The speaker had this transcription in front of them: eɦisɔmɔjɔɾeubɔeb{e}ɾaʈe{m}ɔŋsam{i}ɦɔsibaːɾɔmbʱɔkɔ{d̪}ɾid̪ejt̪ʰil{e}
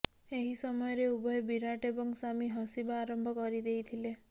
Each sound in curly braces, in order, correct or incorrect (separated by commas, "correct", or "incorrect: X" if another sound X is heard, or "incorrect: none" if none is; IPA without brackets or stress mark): incorrect: i, incorrect: b, correct, incorrect: none, correct